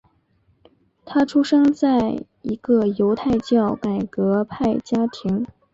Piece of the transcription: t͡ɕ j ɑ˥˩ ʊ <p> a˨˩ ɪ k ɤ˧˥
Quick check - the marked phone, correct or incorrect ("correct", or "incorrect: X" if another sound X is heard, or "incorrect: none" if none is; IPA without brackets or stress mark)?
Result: incorrect: k